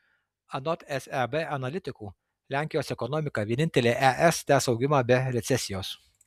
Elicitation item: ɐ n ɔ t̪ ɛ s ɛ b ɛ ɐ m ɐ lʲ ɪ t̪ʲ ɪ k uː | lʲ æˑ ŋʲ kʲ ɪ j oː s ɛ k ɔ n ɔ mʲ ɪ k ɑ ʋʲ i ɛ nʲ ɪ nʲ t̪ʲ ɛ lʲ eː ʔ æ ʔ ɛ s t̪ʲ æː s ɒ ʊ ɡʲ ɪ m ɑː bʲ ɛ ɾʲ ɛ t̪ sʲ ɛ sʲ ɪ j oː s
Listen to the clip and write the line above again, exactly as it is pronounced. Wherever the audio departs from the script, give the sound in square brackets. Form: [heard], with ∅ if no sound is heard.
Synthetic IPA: ɐ n ɔ t̪ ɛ s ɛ b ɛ ɐ [n] ɐ lʲ ɪ t̪ʲ ɪ k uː | lʲ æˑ ŋʲ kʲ ɪ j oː s ɛ k ɔ n ɔ mʲ ɪ k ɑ ʋʲ i ɛ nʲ ɪ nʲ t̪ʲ ɛ lʲ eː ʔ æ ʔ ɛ s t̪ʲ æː s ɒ ʊ ɡʲ ɪ m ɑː bʲ ɛ ɾʲ ɛ t̪ sʲ ɛ sʲ ɪ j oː s